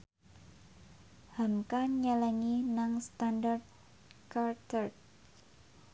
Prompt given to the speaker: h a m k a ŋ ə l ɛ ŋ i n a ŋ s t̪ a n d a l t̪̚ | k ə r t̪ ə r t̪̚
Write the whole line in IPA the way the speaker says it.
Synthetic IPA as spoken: h a m k a ɲ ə l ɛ ŋ i n a ŋ s t̪ a n d a r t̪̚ | k a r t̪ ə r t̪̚